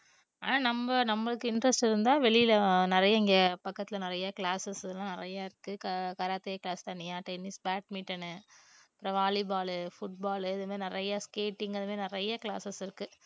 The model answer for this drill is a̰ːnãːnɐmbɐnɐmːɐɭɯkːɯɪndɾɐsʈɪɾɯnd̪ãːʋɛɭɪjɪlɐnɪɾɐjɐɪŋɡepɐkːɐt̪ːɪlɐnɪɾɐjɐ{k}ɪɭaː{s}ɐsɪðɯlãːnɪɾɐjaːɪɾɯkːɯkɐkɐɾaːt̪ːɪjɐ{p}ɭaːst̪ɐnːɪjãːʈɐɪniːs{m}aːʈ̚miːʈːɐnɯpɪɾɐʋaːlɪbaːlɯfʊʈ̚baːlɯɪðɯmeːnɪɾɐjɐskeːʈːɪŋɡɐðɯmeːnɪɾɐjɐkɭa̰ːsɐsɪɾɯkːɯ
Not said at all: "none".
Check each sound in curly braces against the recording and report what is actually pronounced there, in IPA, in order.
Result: k, s, k, b

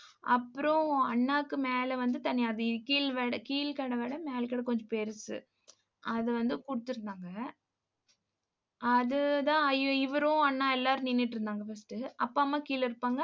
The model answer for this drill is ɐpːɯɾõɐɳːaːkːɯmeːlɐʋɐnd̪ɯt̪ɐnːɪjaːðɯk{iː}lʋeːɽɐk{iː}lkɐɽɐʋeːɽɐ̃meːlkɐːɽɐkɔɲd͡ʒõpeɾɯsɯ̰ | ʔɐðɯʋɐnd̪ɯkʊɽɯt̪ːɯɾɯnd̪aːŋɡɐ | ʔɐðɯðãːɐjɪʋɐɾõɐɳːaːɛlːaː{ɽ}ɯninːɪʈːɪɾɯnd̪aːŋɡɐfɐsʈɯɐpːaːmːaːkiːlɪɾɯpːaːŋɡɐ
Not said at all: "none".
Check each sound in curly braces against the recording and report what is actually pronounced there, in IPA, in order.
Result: iː, iː, ɾ

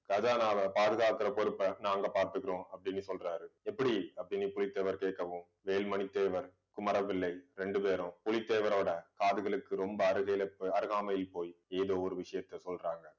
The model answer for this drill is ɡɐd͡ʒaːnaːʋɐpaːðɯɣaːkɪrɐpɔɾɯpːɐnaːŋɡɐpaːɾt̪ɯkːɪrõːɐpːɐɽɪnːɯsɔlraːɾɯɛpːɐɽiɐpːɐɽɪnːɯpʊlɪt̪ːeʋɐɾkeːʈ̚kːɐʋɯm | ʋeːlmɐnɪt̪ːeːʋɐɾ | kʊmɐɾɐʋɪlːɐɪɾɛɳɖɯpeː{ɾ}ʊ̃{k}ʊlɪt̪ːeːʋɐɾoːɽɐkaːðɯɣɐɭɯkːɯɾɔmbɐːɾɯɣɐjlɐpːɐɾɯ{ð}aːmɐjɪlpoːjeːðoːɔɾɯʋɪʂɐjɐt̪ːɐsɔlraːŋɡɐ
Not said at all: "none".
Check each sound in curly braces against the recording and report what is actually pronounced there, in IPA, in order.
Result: ɾ, p, ɣ

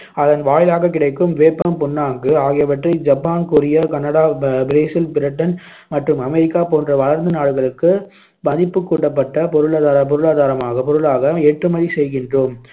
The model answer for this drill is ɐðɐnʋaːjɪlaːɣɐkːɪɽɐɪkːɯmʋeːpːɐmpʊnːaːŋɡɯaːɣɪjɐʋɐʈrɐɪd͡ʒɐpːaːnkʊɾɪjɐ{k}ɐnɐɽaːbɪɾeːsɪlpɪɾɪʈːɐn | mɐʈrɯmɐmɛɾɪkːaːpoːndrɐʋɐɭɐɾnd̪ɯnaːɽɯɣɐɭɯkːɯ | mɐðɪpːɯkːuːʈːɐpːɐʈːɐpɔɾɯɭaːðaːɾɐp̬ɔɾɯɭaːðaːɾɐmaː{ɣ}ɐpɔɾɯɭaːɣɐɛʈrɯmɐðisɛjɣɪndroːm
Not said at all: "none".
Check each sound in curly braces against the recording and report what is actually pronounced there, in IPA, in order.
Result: k, ɣ

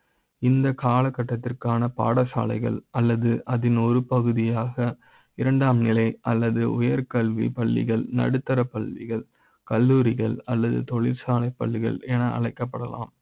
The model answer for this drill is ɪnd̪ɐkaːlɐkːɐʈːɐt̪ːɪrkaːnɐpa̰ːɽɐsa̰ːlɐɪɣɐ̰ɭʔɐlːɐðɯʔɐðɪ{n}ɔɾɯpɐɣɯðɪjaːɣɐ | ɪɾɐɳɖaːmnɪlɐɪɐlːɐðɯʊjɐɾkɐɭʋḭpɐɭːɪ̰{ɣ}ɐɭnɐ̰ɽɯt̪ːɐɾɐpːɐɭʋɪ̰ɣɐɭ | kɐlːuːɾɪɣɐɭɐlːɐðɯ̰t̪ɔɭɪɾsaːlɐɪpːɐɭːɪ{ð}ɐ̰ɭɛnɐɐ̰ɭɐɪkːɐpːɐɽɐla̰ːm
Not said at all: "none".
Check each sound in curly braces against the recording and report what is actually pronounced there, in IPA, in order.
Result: n, ɣ, ɣ

